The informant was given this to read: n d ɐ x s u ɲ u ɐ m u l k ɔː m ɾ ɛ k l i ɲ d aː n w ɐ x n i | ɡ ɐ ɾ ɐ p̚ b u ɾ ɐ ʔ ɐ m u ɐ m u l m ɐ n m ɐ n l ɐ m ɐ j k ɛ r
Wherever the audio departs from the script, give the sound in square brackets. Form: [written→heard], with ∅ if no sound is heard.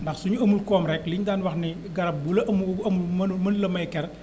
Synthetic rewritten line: n d ɐ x s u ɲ u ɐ m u l k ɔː m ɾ ɛ k l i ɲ d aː n w ɐ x n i | ɡ ɐ ɾ ɐ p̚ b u [ɾ→l] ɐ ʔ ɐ m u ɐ m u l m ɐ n m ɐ n l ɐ m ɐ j k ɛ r